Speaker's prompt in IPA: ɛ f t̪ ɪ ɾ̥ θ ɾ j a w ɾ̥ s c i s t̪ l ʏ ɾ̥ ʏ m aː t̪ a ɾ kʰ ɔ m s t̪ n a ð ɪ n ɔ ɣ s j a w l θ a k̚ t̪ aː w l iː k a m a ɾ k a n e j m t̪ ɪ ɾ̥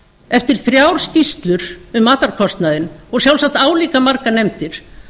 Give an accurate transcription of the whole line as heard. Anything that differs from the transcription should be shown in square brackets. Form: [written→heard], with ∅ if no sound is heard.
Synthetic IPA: ɛ f t̪ ɪ ɾ̥ θ ɾ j a w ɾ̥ s c i s t̪ l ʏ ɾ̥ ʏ m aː t̪ a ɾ kʰ ɔ [m→∅] s t̪ n a ð ɪ n ɔ ɣ s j a w l [θ→s] a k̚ t̪ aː w l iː k a m a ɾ k a n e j m t̪ ɪ ɾ̥